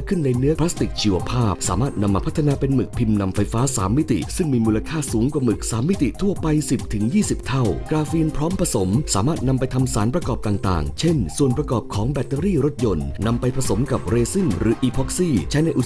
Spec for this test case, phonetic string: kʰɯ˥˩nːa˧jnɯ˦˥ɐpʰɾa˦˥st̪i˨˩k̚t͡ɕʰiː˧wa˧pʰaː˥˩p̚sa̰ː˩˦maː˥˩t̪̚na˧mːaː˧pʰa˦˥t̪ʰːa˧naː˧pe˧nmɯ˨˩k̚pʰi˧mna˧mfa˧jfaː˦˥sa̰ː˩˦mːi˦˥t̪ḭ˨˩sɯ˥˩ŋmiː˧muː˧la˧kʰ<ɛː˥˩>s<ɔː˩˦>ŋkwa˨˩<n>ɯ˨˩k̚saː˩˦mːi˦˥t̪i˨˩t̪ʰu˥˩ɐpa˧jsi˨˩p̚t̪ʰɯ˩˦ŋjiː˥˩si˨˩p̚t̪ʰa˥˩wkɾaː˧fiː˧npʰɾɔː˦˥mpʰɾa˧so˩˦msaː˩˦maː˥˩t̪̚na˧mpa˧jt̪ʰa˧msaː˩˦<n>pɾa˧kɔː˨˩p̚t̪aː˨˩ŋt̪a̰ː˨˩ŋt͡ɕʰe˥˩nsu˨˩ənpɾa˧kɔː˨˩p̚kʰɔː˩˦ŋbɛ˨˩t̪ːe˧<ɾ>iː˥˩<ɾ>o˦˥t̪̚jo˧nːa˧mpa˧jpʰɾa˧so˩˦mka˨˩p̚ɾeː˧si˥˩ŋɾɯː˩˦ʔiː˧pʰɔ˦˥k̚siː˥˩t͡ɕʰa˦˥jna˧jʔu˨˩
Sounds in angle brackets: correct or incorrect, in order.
incorrect: aː˥˩, incorrect: uː˩˦, incorrect: m, correct, correct, correct

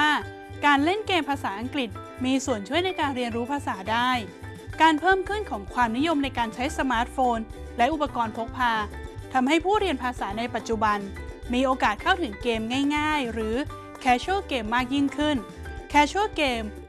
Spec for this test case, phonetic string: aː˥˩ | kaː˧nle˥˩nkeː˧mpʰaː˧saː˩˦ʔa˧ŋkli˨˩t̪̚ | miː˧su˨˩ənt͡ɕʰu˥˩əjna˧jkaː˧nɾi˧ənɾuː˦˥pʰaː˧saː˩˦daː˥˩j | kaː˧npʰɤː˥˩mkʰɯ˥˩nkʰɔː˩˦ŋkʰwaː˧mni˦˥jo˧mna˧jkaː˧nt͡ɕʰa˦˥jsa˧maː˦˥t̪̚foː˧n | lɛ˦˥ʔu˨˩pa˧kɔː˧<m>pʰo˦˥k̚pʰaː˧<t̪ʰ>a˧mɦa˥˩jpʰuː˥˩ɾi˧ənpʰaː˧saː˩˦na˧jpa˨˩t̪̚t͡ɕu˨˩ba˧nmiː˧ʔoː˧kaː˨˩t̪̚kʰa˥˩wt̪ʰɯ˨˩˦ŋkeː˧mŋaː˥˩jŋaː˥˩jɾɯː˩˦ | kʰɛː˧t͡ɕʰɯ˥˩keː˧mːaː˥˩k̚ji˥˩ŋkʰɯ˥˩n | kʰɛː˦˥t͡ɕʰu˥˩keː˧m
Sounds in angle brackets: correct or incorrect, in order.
incorrect: n, correct

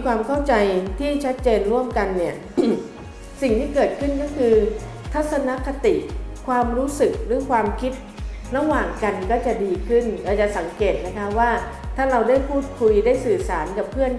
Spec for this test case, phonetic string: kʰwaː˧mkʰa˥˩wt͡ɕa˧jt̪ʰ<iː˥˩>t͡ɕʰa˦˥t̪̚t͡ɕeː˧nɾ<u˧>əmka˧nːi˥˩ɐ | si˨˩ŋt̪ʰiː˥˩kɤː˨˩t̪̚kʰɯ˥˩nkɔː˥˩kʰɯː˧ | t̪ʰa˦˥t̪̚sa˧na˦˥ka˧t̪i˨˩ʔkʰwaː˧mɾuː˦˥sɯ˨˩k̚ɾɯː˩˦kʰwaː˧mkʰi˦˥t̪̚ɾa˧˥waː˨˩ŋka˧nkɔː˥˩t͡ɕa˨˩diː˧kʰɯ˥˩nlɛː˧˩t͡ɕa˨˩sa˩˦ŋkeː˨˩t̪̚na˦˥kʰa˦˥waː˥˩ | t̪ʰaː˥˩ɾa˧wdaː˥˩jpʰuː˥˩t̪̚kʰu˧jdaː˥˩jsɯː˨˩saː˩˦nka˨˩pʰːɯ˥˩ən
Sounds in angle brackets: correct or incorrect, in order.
correct, incorrect: u˥˩

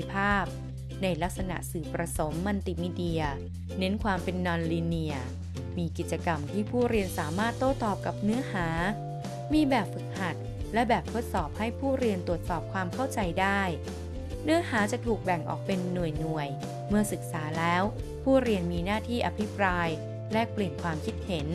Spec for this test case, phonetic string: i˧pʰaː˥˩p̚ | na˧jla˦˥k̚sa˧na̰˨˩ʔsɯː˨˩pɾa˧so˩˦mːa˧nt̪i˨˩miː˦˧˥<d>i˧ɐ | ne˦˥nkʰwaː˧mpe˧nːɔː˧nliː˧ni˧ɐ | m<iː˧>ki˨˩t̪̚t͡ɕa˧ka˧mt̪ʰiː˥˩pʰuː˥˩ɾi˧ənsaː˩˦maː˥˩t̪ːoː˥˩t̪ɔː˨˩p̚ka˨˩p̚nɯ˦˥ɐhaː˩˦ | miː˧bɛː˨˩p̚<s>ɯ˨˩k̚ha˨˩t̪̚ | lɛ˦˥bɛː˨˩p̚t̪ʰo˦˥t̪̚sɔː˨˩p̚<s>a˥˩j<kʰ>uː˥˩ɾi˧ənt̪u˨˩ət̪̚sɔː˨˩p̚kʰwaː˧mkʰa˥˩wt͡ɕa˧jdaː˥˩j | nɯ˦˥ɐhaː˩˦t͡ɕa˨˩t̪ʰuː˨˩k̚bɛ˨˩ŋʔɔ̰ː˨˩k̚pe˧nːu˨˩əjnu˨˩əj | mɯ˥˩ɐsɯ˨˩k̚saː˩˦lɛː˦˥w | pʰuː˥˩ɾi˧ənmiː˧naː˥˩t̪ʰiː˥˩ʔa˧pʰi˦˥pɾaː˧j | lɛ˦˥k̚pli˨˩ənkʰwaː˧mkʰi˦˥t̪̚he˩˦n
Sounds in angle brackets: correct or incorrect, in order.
correct, correct, incorrect: f, incorrect: h, incorrect: pʰ

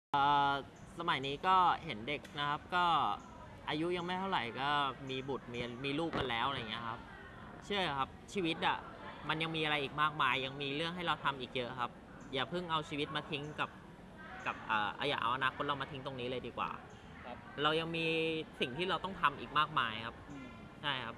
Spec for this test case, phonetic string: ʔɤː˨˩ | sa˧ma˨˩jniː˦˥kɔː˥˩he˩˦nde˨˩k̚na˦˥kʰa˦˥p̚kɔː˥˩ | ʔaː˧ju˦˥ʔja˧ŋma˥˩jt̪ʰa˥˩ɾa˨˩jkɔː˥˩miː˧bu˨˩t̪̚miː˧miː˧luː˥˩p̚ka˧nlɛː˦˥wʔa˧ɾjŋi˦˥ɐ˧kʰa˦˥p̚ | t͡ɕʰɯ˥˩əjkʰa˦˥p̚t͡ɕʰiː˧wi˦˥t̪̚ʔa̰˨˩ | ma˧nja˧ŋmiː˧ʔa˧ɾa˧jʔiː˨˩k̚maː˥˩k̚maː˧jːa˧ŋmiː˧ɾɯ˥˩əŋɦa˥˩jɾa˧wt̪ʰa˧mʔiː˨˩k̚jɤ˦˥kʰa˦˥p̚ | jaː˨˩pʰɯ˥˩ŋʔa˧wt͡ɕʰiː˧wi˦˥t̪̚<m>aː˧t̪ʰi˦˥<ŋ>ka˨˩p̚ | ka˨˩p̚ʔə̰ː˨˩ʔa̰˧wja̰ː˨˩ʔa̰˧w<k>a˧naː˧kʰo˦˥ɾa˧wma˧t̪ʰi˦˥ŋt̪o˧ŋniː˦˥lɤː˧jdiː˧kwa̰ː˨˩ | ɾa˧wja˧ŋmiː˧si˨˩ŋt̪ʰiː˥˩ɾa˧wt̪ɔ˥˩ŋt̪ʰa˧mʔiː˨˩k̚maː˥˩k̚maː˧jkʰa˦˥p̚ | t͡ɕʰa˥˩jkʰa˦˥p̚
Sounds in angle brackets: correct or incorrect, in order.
correct, correct, incorrect: ʔ

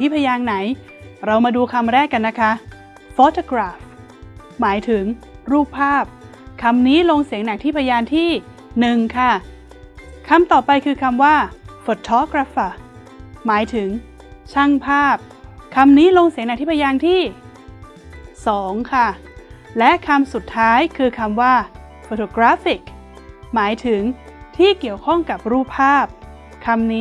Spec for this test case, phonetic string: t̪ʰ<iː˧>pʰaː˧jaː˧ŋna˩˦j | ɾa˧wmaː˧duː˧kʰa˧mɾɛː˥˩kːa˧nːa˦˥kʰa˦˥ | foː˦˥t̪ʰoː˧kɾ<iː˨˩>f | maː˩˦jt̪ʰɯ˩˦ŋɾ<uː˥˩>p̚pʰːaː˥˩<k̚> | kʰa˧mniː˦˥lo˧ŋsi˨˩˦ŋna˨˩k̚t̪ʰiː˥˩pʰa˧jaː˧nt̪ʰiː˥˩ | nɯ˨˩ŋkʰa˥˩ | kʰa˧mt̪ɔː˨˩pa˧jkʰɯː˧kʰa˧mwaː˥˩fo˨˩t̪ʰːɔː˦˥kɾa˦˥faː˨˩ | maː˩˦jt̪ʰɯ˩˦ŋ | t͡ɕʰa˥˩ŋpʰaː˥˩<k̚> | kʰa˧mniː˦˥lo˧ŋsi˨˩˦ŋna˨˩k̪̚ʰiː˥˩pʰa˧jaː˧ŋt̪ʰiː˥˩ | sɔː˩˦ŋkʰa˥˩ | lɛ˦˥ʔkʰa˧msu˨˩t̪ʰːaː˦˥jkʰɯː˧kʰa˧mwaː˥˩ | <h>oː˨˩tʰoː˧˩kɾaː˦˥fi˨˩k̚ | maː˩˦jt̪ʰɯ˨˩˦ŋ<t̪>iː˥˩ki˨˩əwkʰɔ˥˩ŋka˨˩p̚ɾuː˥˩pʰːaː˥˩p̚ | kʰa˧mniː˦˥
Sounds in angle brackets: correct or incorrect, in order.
incorrect: iː˥˩, incorrect: aː˨˩, correct, incorrect: p̚, incorrect: p̚, incorrect: f, incorrect: t̪ʰ

